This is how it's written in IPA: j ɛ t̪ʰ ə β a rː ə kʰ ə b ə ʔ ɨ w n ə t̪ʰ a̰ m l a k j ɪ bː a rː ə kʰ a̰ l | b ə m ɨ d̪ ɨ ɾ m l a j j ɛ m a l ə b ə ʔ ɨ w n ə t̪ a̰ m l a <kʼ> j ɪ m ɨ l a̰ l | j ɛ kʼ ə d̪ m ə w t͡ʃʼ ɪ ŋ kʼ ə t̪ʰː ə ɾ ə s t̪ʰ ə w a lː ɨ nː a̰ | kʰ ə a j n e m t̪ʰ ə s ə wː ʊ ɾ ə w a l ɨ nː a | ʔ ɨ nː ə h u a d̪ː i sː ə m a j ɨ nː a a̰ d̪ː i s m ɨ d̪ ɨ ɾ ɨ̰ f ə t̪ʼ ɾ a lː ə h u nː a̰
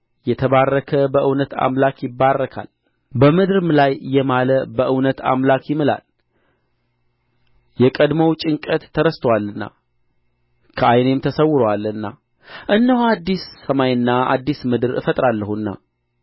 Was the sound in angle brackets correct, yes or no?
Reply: no